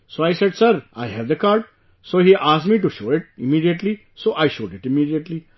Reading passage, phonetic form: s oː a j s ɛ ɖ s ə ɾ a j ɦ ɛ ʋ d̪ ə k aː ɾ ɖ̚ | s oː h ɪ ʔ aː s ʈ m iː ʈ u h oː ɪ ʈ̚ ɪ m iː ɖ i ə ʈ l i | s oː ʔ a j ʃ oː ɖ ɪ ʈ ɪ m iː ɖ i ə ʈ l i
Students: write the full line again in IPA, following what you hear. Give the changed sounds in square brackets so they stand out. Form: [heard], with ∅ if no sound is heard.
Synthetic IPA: s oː a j s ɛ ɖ s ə ɾ a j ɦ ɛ ʋ d̪ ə k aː ɾ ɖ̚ | s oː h [i] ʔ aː s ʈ m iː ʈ u [ʃ] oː ɪ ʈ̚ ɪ m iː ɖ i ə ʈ l i | s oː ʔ a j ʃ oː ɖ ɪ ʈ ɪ m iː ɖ i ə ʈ l i